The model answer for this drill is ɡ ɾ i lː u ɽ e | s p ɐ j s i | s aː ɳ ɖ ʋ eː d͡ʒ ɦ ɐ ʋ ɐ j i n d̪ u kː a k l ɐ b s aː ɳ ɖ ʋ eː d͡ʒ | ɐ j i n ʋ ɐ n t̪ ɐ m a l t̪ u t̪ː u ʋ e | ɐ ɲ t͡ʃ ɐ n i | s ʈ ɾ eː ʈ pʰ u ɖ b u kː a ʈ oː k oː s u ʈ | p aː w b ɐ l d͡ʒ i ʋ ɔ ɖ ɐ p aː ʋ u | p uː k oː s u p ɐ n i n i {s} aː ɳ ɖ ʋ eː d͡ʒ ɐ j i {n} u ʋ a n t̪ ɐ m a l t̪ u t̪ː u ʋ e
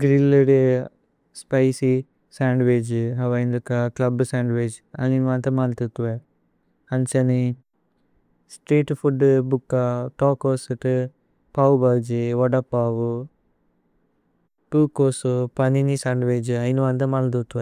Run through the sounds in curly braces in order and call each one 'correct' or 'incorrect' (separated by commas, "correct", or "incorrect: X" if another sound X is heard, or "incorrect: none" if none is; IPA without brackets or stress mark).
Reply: correct, correct